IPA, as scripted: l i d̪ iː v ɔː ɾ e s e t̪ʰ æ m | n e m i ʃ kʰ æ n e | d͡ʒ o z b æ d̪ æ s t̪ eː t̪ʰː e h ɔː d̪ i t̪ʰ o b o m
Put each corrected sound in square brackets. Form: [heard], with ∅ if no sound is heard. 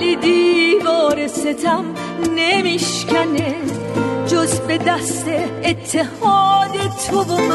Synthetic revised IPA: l i d̪ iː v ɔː ɾ e s e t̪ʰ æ m | n e m i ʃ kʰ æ n e | d͡ʒ o z b [e] d̪ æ s t̪ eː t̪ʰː e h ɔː d̪ [e] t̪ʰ o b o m